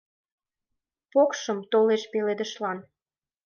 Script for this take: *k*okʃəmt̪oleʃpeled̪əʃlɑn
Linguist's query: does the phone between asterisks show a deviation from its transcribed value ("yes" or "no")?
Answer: yes